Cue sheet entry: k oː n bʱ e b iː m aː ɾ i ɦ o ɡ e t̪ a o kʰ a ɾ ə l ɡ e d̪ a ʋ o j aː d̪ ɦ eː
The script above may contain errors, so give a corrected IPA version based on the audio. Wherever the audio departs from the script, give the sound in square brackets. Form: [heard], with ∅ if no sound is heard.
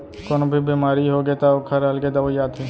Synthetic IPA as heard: k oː n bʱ [i] b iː m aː ɾ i ɦ o ɡ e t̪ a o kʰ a ɾ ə l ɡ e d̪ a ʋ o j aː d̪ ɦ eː